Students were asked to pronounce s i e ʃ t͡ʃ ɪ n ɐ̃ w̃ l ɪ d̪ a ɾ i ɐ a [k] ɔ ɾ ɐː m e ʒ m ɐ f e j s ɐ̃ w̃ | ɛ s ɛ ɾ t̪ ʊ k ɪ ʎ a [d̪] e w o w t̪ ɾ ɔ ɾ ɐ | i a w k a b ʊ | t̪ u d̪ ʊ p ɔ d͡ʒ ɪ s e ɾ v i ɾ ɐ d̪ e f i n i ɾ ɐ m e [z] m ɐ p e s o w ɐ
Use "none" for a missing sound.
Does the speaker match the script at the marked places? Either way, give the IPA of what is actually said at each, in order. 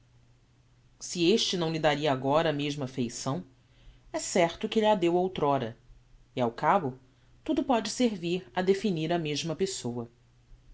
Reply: ɡ, d̪, ʒ

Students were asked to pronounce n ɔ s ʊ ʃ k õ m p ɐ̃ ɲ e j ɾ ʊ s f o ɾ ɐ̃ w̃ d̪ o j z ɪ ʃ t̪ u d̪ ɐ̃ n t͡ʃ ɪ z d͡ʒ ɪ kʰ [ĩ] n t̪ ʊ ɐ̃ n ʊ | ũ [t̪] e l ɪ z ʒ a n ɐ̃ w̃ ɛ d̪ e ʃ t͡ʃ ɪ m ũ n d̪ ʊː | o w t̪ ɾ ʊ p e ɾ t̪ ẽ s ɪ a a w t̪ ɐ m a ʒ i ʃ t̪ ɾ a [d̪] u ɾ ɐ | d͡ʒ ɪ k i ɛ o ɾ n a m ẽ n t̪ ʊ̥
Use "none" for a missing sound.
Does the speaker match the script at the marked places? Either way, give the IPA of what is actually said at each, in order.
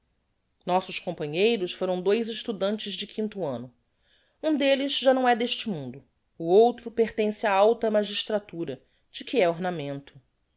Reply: ĩ, d̪, t̪

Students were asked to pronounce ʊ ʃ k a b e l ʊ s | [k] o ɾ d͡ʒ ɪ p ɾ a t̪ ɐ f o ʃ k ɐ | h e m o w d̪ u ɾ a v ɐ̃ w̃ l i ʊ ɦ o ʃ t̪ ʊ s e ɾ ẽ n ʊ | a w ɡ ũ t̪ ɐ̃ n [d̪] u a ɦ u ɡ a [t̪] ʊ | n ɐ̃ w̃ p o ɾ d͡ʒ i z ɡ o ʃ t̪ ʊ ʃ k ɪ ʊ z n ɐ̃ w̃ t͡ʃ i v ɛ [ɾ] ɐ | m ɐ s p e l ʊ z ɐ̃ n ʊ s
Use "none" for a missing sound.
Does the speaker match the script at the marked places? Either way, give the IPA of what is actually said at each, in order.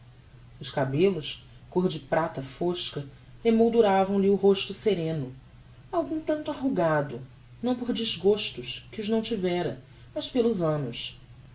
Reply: k, t̪, d̪, ɾ

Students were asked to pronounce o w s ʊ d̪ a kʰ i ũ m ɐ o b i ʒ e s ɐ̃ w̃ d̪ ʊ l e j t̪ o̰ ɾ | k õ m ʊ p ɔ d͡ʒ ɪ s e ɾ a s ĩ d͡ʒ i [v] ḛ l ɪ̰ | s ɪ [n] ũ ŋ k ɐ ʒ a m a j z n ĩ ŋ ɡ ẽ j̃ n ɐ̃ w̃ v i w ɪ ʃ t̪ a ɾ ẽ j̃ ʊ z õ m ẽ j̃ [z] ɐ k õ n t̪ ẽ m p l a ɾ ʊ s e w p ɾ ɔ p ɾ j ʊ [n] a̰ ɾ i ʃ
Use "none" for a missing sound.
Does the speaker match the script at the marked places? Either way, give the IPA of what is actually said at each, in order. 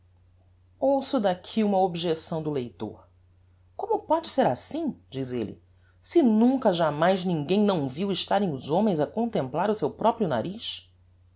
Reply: z, n, z, n

